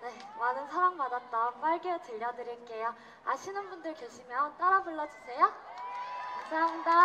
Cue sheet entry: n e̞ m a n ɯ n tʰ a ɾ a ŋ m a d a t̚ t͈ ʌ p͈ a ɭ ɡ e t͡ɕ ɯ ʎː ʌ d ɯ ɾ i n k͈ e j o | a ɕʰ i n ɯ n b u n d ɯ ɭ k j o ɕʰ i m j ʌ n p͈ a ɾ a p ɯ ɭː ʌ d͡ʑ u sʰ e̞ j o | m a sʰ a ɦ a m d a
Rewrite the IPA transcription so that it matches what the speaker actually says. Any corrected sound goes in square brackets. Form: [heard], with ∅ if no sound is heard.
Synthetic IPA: n e̞ m a n ɯ n [sʰ] a ɾ a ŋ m a d a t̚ t͈ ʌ p͈ a ɭ ɡ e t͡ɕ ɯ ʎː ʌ d ɯ ɾ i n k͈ e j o | a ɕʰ i n ɯ n b u n d ɯ ɭ k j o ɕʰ i m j ʌ n [t͈] a ɾ a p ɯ ɭː ʌ d͡ʑ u sʰ e̞ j o | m a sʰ a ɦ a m d a

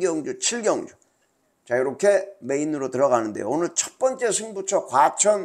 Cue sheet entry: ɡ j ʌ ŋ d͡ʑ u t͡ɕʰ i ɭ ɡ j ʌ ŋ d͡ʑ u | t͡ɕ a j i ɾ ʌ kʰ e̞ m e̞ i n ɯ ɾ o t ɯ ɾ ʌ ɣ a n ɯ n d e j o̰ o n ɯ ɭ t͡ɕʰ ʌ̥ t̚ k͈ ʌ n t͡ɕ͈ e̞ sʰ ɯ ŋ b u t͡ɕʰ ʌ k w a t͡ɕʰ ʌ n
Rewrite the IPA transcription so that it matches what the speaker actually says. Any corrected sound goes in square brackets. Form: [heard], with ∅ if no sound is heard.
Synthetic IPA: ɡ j ʌ ŋ d͡ʑ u t͡ɕʰ i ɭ ɡ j ʌ ŋ d͡ʑ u | t͡ɕ a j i ɾ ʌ kʰ e̞ m e̞ i n ɯ ɾ o t ɯ ɾ ʌ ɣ a n ɯ n d e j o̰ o n ɯ ɭ t͡ɕʰ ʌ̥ t̚ [p͈] ʌ n t͡ɕ͈ e̞ sʰ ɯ ŋ b u t͡ɕʰ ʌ k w a t͡ɕʰ ʌ n

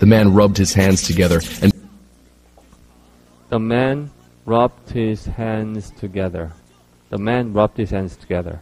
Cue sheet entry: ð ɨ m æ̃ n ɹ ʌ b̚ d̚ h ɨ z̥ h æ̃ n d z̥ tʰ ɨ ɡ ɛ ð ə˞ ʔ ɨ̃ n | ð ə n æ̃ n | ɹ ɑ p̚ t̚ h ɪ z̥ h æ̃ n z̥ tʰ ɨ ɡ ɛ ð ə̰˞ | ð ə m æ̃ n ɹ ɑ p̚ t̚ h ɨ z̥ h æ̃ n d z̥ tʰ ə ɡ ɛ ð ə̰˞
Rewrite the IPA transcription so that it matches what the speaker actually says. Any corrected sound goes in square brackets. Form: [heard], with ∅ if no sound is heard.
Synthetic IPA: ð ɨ m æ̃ n ɹ ʌ b̚ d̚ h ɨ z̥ h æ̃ n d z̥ tʰ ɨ ɡ ɛ ð ə˞ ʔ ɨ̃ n | ð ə [m] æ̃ n | ɹ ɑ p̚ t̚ h ɪ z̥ h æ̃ n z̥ tʰ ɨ ɡ ɛ ð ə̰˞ | ð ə m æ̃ n ɹ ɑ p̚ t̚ h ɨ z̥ h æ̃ n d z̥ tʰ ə ɡ ɛ ð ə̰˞

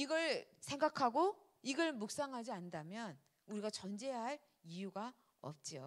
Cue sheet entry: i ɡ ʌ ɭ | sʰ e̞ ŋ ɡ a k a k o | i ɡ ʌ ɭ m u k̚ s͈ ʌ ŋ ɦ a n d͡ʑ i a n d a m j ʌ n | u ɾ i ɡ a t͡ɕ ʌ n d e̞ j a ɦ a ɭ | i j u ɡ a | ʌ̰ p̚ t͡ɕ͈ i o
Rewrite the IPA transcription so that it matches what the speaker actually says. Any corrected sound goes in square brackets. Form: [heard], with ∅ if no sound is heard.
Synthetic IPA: i ɡ ʌ ɭ | sʰ e̞ ŋ ɡ a [kʰ] a [ɡ] o | i ɡ ʌ ɭ m u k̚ s͈ [a] ŋ ɦ a [∅] d͡ʑ i a n d a m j ʌ n | u ɾ i ɡ a t͡ɕ ʌ n [d͡ʑ] e̞ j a ɦ a ɭ | i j u ɡ a | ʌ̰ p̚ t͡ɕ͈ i o

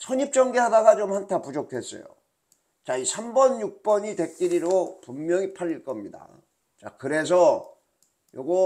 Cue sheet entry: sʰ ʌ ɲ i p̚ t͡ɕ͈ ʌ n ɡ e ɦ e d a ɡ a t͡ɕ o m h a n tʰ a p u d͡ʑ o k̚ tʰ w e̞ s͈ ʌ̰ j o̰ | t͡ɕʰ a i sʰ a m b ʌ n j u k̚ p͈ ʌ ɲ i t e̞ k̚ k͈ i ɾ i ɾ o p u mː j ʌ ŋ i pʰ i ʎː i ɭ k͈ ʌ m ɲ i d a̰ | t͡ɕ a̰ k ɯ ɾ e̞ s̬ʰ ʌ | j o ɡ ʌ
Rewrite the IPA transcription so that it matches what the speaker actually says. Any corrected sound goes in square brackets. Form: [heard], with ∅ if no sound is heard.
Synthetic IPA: sʰ ʌ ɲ i p̚ t͡ɕ͈ ʌ [ŋ] ɡ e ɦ [a] d a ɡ a t͡ɕ o m h a n tʰ a p u d͡ʑ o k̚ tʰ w e̞ s͈ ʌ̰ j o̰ | [t͡ɕ] a i sʰ a m b ʌ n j u k̚ p͈ ʌ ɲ i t e̞ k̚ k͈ i ɾ i ɾ o p u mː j ʌ ŋ i pʰ [a] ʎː i ɭ k͈ ʌ m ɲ i d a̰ | t͡ɕ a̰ k ɯ ɾ e̞ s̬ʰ ʌ | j o ɡ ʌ

